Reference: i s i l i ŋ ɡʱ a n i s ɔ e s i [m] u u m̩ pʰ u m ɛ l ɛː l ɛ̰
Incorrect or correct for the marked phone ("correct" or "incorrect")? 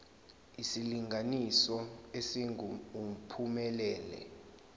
incorrect